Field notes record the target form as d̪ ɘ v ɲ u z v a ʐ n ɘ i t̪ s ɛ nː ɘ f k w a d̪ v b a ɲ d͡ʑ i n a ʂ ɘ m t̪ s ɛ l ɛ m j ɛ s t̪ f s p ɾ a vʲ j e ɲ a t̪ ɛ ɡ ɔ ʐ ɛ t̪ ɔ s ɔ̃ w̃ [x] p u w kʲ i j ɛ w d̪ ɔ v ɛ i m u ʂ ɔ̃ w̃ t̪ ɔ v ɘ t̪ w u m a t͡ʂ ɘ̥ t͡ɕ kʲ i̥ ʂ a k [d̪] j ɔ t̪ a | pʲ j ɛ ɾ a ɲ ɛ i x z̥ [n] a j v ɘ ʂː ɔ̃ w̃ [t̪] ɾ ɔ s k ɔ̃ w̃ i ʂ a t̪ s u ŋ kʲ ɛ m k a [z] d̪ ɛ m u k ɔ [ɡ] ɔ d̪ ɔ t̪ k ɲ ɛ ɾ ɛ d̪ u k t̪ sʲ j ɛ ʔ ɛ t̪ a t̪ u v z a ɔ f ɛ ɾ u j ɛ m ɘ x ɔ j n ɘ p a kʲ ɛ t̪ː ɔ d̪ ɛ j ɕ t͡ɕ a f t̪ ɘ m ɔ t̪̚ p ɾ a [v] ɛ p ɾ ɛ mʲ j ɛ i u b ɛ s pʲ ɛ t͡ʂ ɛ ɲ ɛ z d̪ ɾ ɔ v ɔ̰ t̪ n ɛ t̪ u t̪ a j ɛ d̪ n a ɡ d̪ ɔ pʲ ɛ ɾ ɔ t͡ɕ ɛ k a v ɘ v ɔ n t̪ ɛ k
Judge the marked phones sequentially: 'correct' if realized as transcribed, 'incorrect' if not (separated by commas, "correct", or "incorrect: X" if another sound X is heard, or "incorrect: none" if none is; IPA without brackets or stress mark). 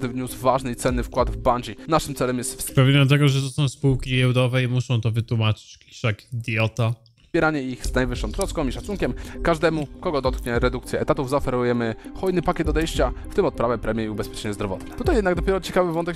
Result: incorrect: s, correct, correct, correct, incorrect: ʐ, correct, correct